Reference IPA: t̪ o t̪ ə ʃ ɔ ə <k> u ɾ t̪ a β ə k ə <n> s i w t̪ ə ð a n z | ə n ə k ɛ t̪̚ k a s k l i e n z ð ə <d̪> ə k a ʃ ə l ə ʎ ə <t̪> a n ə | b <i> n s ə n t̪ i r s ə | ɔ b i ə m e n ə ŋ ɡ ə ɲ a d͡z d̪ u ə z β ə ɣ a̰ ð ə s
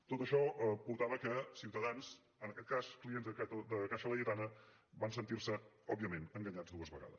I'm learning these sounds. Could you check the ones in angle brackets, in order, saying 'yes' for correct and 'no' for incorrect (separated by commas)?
no, no, yes, yes, no